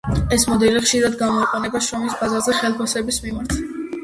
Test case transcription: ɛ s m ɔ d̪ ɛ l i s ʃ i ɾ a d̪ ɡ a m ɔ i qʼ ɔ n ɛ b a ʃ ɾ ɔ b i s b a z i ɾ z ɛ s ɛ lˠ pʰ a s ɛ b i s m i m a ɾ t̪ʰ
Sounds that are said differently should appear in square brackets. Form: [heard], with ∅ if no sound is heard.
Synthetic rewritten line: ɛ s m ɔ d̪ ɛ l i [χ] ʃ i ɾ a d̪ ɡ a m ɔ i qʼ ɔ n ɛ b a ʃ ɾ ɔ [m] i s b a z [a] ɾ z ɛ [χ] ɛ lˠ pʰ a s ɛ b i s m i m a ɾ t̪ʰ